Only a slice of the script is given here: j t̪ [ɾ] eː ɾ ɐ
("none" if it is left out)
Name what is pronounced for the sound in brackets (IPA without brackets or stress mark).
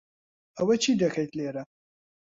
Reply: l